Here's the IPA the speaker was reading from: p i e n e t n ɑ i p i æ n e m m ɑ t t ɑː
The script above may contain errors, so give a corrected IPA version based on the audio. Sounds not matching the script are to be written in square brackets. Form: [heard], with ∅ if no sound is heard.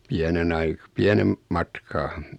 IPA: p i [æ] n e [∅] n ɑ i p i æ n e m m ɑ t [k] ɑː